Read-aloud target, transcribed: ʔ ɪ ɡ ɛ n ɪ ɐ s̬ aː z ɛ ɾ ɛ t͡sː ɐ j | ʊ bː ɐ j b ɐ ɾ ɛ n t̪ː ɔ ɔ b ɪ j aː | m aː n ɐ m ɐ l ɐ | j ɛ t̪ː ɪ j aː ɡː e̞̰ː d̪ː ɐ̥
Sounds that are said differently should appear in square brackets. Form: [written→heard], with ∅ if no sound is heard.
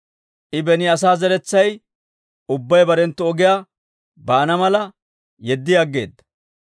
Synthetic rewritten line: ʔ ɪ [ɡ→b] ɛ n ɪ ɐ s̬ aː z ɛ ɾ ɛ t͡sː ɐ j | ʊ bː ɐ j b ɐ ɾ ɛ n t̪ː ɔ ɔ [b→ɡ] ɪ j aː | [m→b] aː n ɐ m ɐ l ɐ | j ɛ [t̪ː→d̪ː] ɪ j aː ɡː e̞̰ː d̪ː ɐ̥

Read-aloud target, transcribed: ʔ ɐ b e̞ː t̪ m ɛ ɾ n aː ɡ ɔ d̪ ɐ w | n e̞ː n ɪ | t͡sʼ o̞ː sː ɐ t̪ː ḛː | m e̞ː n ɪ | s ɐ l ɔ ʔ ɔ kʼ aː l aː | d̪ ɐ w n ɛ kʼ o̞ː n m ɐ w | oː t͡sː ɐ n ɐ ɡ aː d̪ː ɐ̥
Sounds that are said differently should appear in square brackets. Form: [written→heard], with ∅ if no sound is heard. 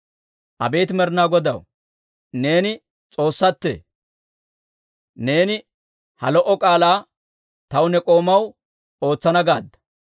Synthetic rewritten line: ʔ ɐ b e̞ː t̪ m ɛ ɾ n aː ɡ ɔ d̪ ɐ w | n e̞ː n ɪ | t͡sʼ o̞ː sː ɐ t̪ː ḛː | [m→n] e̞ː n ɪ | [s→h] ɐ l ɔ ʔ ɔ kʼ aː l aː | [d̪→t̪] ɐ w n ɛ kʼ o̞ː [n→∅] m ɐ w | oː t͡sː ɐ n ɐ ɡ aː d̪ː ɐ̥

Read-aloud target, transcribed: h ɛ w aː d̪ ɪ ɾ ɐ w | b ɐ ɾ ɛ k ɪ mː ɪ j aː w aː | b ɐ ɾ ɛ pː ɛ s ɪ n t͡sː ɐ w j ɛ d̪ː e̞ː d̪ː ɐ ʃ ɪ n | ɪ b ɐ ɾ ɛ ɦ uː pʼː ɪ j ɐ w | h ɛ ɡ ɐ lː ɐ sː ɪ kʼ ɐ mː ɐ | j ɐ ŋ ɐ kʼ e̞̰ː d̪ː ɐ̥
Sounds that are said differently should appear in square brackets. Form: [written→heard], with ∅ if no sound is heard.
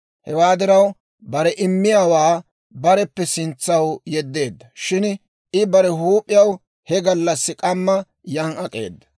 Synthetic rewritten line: h ɛ w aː d̪ ɪ ɾ ɐ w | b ɐ ɾ ɛ [k→ʔ] ɪ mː ɪ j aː w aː | b ɐ ɾ ɛ pː ɛ s ɪ n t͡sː ɐ w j ɛ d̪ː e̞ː d̪ː ɐ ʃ ɪ n | ɪ b ɐ ɾ ɛ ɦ uː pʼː ɪ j ɐ w | h ɛ ɡ ɐ lː ɐ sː ɪ kʼ ɐ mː ɐ | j ɐ ŋ ɐ kʼ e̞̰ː d̪ː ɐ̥

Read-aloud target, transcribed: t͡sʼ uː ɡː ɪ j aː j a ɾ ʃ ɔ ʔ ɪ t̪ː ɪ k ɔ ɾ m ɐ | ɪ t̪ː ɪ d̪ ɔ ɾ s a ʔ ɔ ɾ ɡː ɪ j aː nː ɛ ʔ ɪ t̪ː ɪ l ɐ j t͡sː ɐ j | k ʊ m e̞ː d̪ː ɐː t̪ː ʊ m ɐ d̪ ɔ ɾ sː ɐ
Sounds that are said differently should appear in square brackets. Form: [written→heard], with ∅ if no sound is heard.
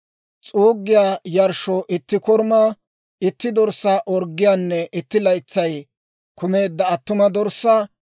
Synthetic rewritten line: t͡sʼ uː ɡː ɪ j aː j [a→ɐ] ɾ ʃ ɔ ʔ ɪ t̪ː ɪ k ɔ ɾ m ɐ | ɪ t̪ː ɪ d̪ ɔ ɾ s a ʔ ɔ ɾ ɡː ɪ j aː nː ɛ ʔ ɪ t̪ː ɪ l ɐ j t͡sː ɐ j | k ʊ m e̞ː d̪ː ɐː t̪ː ʊ m ɐ d̪ ɔ ɾ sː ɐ

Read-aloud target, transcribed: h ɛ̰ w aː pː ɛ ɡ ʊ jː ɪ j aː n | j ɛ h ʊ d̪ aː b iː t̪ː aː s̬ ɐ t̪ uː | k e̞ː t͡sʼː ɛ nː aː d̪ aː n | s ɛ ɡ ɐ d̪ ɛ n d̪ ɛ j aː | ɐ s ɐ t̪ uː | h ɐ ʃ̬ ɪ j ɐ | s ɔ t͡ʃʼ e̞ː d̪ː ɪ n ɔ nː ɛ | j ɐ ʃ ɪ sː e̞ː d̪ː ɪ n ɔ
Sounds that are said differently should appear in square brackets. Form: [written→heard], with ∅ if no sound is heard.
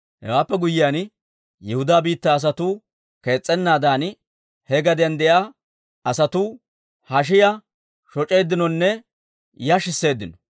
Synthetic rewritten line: h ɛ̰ w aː pː ɛ ɡ ʊ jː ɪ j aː n | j ɛ h ʊ d̪ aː b iː t̪ː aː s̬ ɐ t̪ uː | k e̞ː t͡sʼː ɛ nː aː d̪ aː n | [s→h] ɛ ɡ ɐ d̪ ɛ n d̪ ɛ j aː | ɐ s ɐ t̪ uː | h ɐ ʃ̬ ɪ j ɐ | [s→ʃ] ɔ t͡ʃʼ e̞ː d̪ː ɪ n ɔ nː ɛ | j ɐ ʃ ɪ sː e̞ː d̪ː ɪ n ɔ

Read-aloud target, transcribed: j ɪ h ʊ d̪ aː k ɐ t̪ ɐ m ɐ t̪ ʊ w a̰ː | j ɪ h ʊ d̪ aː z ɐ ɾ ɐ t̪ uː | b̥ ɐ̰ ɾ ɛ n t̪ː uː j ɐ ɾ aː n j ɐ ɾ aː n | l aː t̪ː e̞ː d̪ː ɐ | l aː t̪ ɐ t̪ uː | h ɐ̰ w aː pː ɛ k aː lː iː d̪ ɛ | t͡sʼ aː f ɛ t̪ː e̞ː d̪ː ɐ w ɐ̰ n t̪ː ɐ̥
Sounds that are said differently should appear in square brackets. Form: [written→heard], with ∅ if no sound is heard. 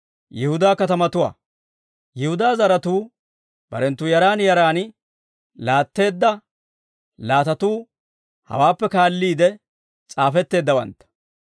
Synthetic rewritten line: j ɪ h ʊ d̪ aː k ɐ t̪ ɐ m ɐ t̪ ʊ w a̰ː | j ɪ h ʊ d̪ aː z ɐ ɾ ɐ t̪ uː | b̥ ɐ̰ ɾ ɛ n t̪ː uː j ɐ ɾ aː n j ɐ ɾ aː n | l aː t̪ː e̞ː d̪ː ɐ | l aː t̪ ɐ t̪ uː | h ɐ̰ w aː pː ɛ k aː lː iː d̪ ɛ | t͡sʼ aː f ɛ t̪ː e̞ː d̪ː ɐ w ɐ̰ n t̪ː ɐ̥

